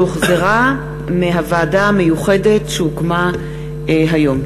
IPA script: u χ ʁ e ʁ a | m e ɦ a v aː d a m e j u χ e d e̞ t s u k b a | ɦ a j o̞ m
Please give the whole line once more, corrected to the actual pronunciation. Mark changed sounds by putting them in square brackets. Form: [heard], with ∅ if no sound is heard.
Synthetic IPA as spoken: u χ [z] e ʁ a | m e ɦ a v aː d a m e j u χ e d e̞ t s u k [m] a | ɦ a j o̞ m

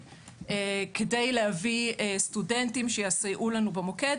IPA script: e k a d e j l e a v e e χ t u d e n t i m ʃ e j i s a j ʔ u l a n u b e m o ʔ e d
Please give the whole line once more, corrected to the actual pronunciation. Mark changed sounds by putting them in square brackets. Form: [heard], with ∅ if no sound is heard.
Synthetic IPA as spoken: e k [e] d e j l e a v [i] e [s] t u d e n t i m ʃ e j [a] s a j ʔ u l a n u b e m o [k] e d

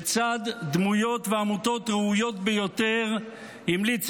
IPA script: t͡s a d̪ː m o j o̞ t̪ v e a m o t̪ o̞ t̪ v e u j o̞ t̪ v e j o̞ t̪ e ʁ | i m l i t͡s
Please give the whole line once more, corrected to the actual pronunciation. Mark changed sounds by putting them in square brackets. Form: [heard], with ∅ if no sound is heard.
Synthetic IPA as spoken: t͡s a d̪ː m [u] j o̞ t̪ v e a m [u] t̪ o̞ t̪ [ʁ] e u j o̞ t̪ [b] e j o̞ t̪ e ʁ | i m l i t͡s

